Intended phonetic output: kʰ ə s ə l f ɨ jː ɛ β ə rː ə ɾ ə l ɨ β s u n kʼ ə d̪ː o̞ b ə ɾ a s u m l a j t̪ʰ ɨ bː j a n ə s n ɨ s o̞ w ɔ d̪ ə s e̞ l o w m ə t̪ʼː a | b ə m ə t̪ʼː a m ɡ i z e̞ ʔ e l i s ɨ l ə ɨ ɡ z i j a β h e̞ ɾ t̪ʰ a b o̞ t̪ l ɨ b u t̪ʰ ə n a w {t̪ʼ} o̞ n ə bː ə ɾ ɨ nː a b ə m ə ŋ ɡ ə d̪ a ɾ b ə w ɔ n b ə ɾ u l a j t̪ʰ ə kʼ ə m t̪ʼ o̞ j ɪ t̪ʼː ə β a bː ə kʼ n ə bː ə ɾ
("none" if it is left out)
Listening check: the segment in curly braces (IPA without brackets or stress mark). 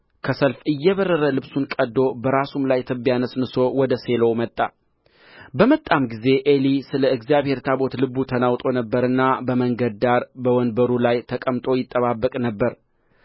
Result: t̪ʼ